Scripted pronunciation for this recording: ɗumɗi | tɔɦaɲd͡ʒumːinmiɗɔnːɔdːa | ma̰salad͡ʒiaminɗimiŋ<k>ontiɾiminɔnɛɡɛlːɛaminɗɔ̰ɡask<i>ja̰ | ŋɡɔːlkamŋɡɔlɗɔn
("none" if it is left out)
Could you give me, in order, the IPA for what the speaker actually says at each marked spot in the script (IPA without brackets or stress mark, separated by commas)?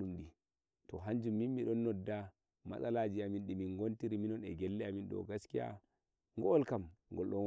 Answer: ɡ, i